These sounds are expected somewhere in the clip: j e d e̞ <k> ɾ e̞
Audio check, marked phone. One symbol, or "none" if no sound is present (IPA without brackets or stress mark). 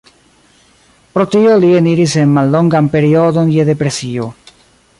p